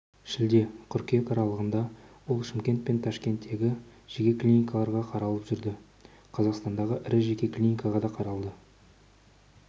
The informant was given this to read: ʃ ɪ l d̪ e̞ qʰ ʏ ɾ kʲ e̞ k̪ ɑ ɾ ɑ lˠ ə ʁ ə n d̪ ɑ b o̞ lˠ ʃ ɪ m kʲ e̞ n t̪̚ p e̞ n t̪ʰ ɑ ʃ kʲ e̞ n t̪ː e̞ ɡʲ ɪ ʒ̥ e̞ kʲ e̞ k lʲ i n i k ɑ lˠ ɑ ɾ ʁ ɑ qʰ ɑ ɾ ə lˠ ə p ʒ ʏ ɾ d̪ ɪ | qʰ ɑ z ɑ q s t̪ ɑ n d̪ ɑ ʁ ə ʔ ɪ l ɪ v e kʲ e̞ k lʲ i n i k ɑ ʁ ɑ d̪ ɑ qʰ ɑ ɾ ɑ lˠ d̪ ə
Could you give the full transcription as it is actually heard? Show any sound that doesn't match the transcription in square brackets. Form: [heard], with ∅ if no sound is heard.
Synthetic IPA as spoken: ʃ ɪ l d̪ e̞ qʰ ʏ ɾ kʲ e̞ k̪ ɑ ɾ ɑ lˠ ə ʁ ə n d̪ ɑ [w] o̞ lˠ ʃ ɪ m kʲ e̞ n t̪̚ p e̞ n t̪ʰ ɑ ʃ kʲ e̞ n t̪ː e̞ ɡʲ ɪ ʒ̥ e̞ kʲ e̞ k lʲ i n i k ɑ lˠ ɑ ɾ ʁ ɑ qʰ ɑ ɾ [ɑ] lˠ ə p ʒ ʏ ɾ d̪ ɪ | qʰ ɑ z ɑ q s t̪ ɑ n d̪ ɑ ʁ ə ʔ ɪ [ɾ] ɪ [ʒ] e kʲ e̞ k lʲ i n i k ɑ ʁ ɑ d̪ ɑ qʰ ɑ ɾ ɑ lˠ d̪ ə